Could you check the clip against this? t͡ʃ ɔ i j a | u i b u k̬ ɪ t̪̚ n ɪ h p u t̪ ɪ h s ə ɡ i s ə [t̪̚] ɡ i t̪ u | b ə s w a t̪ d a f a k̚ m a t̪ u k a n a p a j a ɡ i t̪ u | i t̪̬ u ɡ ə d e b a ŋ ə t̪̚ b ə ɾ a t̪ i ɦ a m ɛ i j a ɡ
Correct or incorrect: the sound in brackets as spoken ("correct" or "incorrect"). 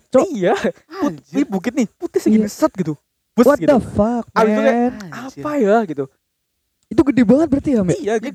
correct